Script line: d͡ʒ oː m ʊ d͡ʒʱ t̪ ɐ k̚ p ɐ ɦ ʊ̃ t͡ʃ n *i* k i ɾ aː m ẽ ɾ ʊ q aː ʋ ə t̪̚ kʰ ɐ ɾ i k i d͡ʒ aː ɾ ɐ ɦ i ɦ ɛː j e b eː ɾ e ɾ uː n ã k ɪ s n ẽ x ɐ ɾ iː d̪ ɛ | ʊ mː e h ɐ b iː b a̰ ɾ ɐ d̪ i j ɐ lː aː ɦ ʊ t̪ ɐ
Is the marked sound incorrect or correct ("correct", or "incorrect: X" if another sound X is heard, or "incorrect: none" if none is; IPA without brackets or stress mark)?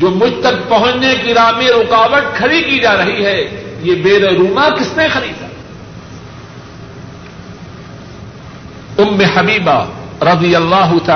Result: incorrect: e